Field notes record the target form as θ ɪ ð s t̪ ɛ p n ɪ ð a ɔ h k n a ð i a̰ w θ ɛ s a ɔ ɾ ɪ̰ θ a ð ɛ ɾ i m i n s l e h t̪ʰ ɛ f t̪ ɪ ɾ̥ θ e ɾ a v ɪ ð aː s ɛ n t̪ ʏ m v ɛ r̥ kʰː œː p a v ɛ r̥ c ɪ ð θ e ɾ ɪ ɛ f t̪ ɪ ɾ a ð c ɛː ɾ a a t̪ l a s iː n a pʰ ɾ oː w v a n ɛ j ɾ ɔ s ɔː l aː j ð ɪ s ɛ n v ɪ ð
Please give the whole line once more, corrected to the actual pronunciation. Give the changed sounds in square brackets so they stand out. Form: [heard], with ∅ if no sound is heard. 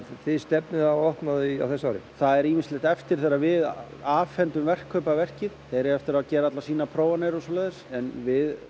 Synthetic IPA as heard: θ ɪ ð s t̪ ɛ p n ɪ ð a ɔ h k n a ð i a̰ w θ ɛ s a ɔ ɾ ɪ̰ θ a ð ɛ ɾ i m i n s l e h [t̪] ɛ f t̪ ɪ ɾ̥ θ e ɾ a v ɪ ð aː [f] ɛ n t̪ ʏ m v ɛ r̥ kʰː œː p a v ɛ r̥ c ɪ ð θ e ɾ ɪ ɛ f t̪ ɪ ɾ a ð c ɛː ɾ a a t̪ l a s iː n a pʰ ɾ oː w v a n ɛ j ɾ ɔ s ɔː l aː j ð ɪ s ɛ n v ɪ ð